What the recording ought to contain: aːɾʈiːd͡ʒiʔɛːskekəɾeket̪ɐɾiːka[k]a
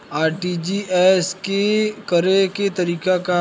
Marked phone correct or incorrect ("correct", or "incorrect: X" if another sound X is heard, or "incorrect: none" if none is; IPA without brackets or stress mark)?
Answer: correct